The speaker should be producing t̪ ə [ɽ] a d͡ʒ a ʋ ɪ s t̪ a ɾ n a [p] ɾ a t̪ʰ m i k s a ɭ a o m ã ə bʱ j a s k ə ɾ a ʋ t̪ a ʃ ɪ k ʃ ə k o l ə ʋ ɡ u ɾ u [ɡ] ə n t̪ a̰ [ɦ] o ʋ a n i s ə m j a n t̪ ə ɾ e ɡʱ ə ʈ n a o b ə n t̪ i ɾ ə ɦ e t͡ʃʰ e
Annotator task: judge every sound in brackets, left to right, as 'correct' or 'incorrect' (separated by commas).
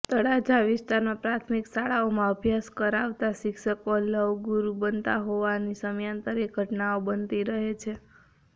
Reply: correct, correct, incorrect, correct